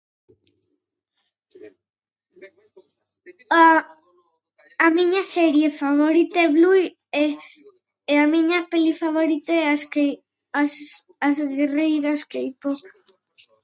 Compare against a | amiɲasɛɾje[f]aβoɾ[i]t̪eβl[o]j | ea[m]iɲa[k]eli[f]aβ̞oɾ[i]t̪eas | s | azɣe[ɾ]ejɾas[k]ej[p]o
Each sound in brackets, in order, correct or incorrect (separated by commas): correct, correct, incorrect, correct, incorrect, correct, correct, incorrect, correct, correct